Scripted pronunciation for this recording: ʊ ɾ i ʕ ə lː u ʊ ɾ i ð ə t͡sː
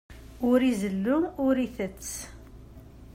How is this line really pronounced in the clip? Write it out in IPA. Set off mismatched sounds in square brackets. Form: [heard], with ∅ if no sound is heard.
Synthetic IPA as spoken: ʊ ɾ i [z] ə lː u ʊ ɾ i [θ] ə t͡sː